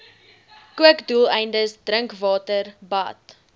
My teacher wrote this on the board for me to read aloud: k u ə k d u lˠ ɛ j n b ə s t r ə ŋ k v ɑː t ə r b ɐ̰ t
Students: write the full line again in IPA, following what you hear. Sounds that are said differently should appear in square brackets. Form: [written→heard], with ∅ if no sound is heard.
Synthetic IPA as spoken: k u ə k d u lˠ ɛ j n [b→d] ə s [t→d] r ə ŋ k v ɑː t ə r b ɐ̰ t